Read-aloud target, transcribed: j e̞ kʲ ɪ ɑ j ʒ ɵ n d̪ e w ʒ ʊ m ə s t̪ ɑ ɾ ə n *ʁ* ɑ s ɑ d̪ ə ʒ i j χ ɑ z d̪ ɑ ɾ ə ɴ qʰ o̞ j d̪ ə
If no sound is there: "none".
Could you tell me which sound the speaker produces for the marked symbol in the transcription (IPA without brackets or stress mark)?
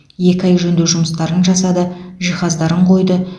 ʒ